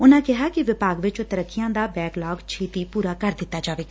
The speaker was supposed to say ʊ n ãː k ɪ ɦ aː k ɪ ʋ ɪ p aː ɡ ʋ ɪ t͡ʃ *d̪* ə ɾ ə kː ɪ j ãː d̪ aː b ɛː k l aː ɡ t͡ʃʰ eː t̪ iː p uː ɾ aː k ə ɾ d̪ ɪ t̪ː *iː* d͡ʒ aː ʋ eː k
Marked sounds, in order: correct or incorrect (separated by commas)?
incorrect, incorrect